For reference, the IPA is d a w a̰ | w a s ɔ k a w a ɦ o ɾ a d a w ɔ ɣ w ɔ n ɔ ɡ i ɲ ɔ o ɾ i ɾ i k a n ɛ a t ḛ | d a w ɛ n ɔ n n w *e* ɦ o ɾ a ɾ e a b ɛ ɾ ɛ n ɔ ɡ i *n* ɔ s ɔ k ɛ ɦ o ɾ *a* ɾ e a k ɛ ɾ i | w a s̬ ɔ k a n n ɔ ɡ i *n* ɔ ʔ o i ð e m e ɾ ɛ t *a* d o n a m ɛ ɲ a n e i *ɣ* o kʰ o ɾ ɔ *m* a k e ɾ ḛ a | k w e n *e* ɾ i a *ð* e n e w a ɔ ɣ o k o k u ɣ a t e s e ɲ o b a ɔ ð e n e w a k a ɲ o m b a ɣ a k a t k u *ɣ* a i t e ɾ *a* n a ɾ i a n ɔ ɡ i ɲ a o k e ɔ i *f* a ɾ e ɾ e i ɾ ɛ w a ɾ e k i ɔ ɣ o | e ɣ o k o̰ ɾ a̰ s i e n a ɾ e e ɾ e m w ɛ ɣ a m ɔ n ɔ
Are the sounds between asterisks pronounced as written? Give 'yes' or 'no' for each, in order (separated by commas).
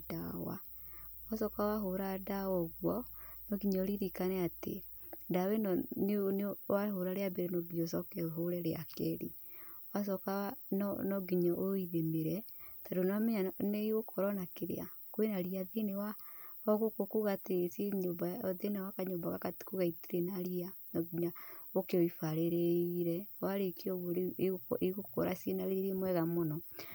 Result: no, no, no, no, yes, yes, no, no, yes, yes, no, yes